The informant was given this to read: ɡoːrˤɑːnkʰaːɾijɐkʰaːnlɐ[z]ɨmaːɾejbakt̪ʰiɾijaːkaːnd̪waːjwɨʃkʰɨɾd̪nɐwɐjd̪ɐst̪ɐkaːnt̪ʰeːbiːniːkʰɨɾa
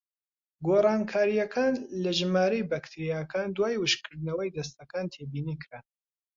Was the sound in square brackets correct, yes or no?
no